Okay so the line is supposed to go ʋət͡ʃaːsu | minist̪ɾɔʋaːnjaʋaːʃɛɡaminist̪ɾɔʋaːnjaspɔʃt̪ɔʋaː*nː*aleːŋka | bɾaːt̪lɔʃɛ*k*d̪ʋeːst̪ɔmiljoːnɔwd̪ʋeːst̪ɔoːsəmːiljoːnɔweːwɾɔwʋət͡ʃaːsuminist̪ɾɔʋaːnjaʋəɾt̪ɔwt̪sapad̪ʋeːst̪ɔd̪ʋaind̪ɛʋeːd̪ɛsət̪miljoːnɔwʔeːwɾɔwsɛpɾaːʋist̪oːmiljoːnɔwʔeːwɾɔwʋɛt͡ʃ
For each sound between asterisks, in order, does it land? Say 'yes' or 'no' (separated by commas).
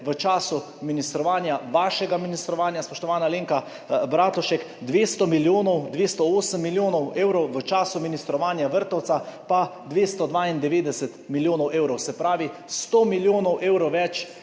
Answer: no, yes